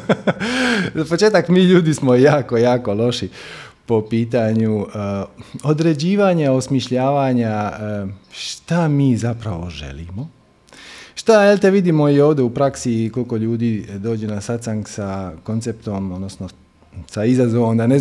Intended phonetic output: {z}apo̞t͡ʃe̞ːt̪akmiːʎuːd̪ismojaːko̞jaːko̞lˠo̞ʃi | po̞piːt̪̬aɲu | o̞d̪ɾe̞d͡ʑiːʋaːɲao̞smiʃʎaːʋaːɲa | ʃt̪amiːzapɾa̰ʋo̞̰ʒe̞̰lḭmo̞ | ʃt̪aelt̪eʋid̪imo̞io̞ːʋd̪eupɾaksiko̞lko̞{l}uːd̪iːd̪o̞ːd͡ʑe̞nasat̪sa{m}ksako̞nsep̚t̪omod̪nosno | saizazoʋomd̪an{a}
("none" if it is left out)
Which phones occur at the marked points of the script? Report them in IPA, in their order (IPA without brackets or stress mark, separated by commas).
z, ʎ, ŋ, e